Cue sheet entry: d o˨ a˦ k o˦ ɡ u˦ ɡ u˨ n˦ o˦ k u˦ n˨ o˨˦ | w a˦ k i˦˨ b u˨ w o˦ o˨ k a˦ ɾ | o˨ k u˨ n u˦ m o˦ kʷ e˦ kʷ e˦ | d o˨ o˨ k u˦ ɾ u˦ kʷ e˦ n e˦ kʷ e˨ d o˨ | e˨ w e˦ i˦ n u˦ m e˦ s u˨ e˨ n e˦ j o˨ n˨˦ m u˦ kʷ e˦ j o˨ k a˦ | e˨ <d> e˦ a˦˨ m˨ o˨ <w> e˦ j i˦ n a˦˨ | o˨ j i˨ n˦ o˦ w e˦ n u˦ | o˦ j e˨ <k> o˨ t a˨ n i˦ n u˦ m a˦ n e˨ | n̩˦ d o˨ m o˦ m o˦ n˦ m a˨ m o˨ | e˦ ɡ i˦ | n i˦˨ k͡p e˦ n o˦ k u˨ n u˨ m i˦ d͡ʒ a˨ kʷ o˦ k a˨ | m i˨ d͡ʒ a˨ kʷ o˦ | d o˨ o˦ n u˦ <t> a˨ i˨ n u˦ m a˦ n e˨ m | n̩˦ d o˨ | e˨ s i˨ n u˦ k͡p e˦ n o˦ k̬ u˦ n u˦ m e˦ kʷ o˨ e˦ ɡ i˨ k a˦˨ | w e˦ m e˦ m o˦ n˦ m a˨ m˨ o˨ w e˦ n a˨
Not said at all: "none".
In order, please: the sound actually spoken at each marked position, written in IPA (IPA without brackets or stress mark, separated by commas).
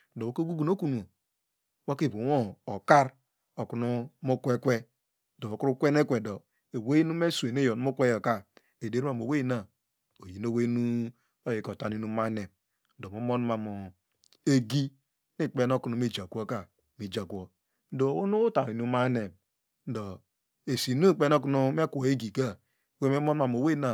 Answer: d, w, k, t